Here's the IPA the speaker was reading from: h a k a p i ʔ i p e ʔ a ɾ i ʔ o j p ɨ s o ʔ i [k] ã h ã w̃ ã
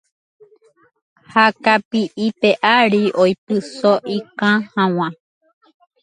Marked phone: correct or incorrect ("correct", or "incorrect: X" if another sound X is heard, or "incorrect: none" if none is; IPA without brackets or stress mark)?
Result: correct